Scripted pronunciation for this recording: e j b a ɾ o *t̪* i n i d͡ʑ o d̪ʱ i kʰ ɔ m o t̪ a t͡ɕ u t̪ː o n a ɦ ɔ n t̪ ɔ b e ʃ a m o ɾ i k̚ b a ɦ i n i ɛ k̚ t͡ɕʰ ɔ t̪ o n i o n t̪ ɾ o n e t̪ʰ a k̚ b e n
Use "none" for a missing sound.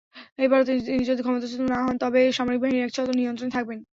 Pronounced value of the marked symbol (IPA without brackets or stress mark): t̪